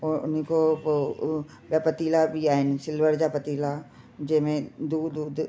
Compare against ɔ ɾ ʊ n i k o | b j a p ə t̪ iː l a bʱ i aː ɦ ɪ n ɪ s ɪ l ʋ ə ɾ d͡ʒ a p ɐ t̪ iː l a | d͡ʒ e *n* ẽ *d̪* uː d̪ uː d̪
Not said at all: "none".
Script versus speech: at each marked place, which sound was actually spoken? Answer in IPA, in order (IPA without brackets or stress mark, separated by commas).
m, d̪